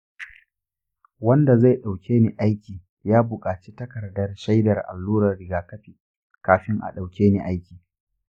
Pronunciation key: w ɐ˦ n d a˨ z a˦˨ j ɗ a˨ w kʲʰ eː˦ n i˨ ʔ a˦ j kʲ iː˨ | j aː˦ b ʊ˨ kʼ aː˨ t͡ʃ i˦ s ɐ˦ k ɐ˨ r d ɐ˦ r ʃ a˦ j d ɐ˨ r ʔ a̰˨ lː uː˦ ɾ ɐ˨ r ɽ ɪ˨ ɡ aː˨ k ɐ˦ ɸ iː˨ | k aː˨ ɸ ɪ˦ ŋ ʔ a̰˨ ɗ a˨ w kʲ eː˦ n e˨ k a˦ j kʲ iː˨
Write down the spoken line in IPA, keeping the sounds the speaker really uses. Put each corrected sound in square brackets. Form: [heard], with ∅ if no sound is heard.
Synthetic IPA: w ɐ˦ n d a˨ z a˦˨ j ɗ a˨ w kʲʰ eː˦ n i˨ ʔ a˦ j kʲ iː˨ | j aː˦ b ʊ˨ kʼ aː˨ t͡ʃ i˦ [t] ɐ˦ k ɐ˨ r d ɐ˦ r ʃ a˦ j d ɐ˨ r ʔ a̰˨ lː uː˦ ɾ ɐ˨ r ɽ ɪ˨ ɡ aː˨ k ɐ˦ ɸ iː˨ | k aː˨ ɸ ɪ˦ ŋ ʔ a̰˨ ɗ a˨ w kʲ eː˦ n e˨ [ʔ] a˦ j kʲ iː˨